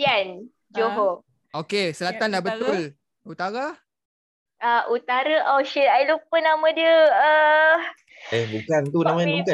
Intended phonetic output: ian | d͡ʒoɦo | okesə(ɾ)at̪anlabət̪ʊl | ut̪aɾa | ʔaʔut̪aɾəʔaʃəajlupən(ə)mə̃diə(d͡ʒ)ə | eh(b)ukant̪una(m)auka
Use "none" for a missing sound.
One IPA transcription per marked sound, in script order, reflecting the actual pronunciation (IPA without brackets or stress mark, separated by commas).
l, a, none, b, m